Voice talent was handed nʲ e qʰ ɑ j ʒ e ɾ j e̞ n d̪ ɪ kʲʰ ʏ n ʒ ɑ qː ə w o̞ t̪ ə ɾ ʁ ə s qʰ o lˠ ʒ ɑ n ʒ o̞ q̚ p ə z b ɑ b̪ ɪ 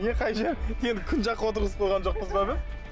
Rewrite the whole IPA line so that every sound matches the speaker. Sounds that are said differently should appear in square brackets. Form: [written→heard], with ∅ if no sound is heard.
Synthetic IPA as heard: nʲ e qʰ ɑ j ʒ e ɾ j e̞ n d̪ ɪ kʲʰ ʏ n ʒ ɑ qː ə w o̞ t̪ ə ɾ ʁ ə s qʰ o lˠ [ʒ→ʁ] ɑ n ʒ o̞ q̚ p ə z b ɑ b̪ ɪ